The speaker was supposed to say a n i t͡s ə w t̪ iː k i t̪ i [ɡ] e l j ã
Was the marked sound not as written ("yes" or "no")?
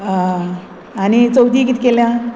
yes